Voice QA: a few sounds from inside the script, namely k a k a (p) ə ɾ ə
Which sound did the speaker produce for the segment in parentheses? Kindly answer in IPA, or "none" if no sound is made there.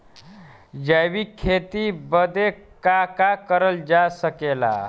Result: k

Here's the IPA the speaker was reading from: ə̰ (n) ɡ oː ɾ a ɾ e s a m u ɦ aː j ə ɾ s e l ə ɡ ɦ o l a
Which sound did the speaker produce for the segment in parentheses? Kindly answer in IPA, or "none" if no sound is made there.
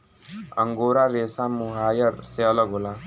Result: ŋ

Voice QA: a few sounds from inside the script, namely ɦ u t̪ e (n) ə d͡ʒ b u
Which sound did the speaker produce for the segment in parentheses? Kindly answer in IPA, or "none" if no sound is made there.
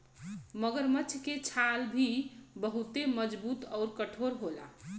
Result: m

